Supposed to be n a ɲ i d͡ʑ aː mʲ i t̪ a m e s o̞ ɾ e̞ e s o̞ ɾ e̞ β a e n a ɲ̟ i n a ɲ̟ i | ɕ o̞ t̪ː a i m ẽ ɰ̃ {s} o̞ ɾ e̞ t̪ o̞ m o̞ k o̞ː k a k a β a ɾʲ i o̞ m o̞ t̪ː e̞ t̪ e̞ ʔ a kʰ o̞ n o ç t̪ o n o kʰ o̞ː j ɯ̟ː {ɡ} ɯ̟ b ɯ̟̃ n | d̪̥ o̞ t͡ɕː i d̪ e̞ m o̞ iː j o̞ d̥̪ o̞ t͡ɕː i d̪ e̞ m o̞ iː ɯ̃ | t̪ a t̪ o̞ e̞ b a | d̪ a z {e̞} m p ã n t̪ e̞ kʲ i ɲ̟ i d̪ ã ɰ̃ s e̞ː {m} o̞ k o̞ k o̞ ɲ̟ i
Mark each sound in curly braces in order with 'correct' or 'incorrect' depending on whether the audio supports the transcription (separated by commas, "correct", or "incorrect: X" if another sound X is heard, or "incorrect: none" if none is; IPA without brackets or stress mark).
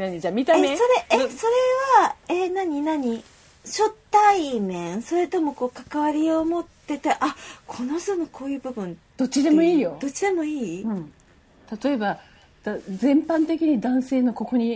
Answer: correct, incorrect: b, incorrect: ẽ̞, incorrect: n